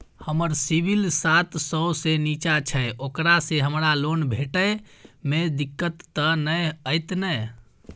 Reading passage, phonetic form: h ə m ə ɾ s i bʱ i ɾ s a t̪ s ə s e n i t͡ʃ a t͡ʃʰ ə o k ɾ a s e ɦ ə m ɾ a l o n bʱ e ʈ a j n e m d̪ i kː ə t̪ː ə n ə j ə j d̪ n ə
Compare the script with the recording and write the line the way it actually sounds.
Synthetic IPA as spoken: h ə m ə ɾ s i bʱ i l s a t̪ s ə s e n i t͡ʃ a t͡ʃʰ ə o k ɾ a s e ɦ ə m ɾ a l o n bʱ e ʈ ə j m e d̪ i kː ə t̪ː ə n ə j ə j t̪ n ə